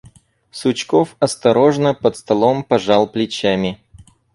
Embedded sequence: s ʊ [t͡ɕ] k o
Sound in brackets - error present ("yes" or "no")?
no